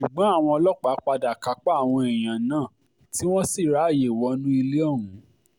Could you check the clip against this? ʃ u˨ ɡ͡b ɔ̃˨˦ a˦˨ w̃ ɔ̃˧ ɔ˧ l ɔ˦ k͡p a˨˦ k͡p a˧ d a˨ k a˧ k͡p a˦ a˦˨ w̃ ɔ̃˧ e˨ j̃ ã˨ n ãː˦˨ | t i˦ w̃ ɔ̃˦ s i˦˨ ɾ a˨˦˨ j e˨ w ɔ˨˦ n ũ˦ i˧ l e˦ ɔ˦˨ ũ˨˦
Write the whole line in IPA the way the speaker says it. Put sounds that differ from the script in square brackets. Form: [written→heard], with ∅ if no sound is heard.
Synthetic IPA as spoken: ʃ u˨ ɡ͡b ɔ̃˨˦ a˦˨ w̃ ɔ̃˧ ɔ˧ l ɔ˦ k͡p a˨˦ k͡p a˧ d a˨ k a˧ k͡p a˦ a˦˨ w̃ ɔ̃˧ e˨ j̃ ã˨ n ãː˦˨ | t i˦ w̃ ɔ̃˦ s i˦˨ ɾ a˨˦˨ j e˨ w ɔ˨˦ n ũ˦ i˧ l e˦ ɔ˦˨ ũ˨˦